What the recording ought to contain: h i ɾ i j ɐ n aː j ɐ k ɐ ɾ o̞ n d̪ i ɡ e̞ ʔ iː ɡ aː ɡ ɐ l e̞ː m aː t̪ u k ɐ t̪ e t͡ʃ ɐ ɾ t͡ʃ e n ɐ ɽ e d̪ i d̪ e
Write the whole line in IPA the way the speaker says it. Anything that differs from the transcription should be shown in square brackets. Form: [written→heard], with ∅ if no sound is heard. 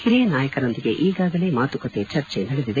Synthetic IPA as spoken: h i ɾ i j ɐ n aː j ɐ k ɐ ɾ o̞ n d̪ i ɡ e̞ ʔ iː ɡ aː ɡ ɐ l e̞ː m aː t̪ u k ɐ t̪ e t͡ʃ ɐ ɾ t͡ʃ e n ɐ ɽ e d̪ i d̪ e

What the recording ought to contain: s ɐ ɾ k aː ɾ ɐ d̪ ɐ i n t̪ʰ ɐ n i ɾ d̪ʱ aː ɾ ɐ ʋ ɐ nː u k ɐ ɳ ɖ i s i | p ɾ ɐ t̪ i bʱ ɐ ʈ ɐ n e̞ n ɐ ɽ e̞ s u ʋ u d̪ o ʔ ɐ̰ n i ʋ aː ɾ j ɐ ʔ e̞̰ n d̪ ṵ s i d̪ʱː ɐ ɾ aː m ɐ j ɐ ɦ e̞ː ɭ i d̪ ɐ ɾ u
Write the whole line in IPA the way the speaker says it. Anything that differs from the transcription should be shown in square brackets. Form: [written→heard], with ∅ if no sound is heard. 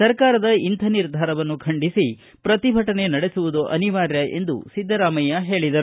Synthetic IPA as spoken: s ɐ ɾ k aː ɾ ɐ d̪ ɐ i n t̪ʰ ɐ n i ɾ d̪ʱ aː ɾ ɐ ʋ ɐ nː u [k→kʰ] ɐ ɳ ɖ i s i | p ɾ ɐ t̪ i bʱ ɐ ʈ ɐ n e̞ n ɐ ɽ e̞ s u ʋ u d̪ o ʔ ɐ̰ n i ʋ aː ɾ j ɐ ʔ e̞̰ n d̪ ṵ s i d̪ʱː ɐ ɾ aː m ɐ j ɐ ɦ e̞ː ɭ i d̪ ɐ ɾ u

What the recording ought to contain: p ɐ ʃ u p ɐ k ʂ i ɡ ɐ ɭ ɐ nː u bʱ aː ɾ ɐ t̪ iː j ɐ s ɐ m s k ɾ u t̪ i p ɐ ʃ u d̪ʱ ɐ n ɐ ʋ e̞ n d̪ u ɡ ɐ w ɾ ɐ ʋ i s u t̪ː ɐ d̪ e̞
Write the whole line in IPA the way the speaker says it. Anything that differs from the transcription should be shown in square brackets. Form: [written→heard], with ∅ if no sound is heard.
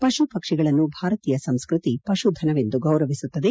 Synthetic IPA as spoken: p ɐ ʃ u p ɐ k ʂ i ɡ ɐ ɭ ɐ nː u bʱ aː ɾ ɐ t̪ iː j ɐ s ɐ m s k ɾ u t̪ i p ɐ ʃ u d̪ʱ ɐ n ɐ ʋ e̞ n d̪ u ɡ ɐ w ɾ ɐ ʋ i s u t̪ː ɐ d̪ e̞

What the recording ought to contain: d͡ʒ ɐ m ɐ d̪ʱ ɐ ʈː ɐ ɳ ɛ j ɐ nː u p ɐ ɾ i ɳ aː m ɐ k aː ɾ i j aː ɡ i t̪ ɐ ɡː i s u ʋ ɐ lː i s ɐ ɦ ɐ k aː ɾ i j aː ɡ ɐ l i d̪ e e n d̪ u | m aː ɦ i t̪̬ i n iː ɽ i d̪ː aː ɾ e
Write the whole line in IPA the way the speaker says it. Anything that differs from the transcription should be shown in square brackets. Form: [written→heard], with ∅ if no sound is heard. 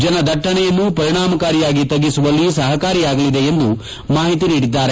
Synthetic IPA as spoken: d͡ʒ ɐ [m→n] ɐ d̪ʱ ɐ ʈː ɐ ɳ ɛ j ɐ nː u p ɐ ɾ i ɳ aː m ɐ k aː ɾ i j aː ɡ i t̪ ɐ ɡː i s u ʋ ɐ lː i s ɐ ɦ ɐ k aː ɾ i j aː ɡ ɐ l i d̪ e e n d̪ u | m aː ɦ i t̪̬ i n iː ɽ i d̪ː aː ɾ e

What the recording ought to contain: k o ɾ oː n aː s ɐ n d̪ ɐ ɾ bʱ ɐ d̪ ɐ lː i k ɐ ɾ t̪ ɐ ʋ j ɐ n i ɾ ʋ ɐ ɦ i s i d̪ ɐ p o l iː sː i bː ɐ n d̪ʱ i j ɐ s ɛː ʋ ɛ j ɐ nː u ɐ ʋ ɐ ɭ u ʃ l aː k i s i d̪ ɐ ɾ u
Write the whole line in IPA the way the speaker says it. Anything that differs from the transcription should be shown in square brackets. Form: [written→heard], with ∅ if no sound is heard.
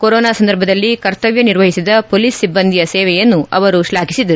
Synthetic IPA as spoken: k o ɾ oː n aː s ɐ n d̪ ɐ ɾ bʱ ɐ d̪ ɐ lː i k ɐ ɾ t̪ ɐ ʋ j ɐ n i ɾ ʋ ɐ ɦ i s i d̪ ɐ p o l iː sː i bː ɐ n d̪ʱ i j ɐ s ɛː ʋ ɛ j ɐ nː u ɐ ʋ ɐ [ɭ→ɾ] u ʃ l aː k i s i d̪ ɐ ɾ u

